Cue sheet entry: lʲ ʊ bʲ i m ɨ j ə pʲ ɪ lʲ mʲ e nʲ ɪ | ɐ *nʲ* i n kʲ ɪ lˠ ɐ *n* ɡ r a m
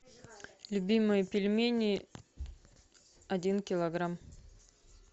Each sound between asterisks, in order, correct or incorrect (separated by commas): incorrect, incorrect